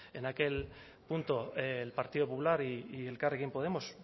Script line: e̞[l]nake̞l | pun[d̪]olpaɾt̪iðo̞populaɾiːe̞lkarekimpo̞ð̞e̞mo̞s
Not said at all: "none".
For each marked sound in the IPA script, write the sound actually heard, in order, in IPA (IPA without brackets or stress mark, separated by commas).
none, t̪